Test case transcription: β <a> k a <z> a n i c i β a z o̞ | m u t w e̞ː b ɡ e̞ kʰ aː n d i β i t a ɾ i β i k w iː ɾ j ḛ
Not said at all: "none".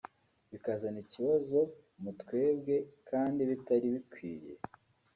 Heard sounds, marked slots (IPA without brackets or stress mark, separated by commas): i, z